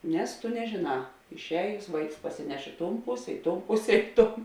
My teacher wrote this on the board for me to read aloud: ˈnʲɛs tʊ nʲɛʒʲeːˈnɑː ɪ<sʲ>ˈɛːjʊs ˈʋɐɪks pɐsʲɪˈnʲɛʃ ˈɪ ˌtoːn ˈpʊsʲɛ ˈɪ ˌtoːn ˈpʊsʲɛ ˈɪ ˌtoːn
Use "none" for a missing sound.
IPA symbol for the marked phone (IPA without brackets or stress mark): ʃʲ